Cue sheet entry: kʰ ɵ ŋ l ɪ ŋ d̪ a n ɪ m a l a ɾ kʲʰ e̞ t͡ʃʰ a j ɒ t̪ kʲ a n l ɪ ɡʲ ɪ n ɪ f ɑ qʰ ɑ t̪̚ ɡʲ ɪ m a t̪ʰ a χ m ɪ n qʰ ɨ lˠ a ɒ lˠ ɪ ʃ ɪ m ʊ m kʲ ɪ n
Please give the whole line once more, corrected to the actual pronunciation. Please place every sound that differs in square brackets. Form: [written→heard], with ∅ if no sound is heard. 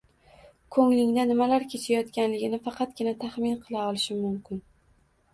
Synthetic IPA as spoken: kʰ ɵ ŋ l ɪ ŋ d̪ a n ɪ m a l a ɾ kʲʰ e̞ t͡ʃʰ a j ɒ t̪ kʲ a n l ɪ ɡʲ ɪ n ɪ f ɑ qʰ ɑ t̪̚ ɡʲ ɪ [m→n] a t̪ʰ a χ m ɪ n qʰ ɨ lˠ a ɒ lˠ ɪ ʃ ɪ m ʊ m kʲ ɪ n